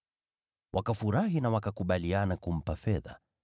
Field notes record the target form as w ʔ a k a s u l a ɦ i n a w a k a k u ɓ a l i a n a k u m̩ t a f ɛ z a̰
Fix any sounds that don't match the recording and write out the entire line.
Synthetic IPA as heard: w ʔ a k a f u ɾ a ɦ i n a w a k a k u ɓ a l i a n a k u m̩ p a f ɛ ð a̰